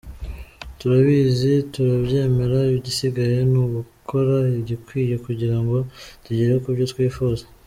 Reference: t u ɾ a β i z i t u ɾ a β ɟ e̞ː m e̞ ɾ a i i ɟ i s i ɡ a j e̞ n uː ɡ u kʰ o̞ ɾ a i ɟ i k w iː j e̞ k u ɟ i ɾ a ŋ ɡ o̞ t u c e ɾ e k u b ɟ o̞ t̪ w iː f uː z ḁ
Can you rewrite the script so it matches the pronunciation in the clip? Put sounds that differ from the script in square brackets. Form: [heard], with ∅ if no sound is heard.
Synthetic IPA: t u ɾ a β i z i t u ɾ a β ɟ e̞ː m e̞ ɾ a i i ɟ i s i ɡ a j e̞ n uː ɡ u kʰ o̞ ɾ a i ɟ i k w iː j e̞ k u ɟ i ɾ a ŋ ɡ o̞ t u [ɟ] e ɾ e k u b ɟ o̞ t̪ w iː f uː z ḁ